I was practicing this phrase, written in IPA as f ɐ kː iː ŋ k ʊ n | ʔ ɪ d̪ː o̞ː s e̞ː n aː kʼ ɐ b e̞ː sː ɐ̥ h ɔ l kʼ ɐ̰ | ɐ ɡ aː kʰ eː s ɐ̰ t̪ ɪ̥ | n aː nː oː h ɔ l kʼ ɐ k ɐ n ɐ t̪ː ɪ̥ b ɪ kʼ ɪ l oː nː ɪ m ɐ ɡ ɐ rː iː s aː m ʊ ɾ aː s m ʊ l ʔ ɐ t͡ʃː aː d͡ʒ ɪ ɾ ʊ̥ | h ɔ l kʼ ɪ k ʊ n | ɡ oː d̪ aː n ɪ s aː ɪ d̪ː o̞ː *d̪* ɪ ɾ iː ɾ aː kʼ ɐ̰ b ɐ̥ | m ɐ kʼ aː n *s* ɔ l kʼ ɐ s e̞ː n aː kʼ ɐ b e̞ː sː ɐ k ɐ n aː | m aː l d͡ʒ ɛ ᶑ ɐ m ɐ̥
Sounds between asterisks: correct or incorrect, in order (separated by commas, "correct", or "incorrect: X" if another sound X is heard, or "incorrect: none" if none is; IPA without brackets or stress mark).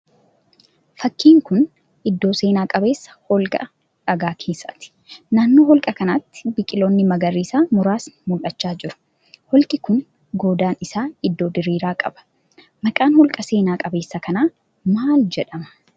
correct, incorrect: h